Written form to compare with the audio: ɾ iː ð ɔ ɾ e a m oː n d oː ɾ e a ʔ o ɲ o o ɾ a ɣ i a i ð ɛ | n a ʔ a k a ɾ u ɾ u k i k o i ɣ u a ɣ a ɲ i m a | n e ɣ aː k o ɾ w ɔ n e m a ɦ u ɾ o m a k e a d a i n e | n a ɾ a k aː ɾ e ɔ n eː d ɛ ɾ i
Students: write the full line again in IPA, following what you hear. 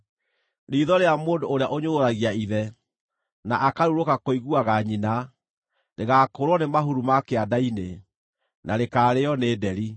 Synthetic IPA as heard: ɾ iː ð ɔ ɾ e a m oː n d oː ɾ e a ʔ o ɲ o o ɾ a ɣ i a i ð ɛ | n a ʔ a k a ɾ u ɾ o k a k o i ɣ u a ɣ a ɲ i n a | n e ɣ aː k o ɾ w ɔ n e m a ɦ u ɾ u m a k e a d a i n e | n a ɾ e k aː ɾ e ɔ n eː d ɛ ɾ i